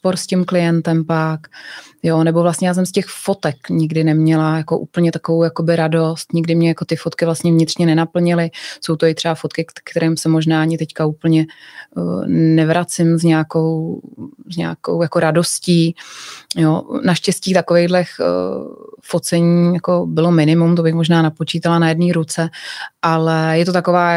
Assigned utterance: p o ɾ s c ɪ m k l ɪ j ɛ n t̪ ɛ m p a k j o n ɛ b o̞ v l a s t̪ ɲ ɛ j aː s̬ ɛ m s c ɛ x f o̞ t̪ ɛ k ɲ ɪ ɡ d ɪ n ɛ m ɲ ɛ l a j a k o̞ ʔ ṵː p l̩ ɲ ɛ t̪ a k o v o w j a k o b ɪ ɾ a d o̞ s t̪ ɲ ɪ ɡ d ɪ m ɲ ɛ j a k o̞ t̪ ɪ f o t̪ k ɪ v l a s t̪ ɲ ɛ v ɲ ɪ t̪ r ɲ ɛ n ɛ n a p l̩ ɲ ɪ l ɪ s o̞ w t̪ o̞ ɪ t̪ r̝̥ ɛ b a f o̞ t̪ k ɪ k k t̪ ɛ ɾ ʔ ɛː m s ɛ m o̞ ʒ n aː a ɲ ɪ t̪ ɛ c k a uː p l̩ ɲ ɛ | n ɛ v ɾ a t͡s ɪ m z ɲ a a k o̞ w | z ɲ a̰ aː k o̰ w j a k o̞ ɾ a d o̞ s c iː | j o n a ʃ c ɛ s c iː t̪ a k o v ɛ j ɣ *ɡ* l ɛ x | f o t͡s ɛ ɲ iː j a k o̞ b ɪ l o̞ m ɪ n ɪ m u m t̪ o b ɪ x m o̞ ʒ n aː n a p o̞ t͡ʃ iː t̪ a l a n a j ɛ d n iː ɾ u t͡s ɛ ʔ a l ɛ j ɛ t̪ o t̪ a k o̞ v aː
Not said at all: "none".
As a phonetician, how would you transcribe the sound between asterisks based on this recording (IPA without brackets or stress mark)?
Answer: d